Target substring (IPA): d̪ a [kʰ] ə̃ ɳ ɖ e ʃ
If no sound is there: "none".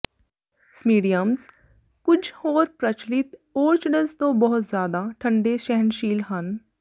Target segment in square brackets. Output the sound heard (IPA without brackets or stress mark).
ʈʰ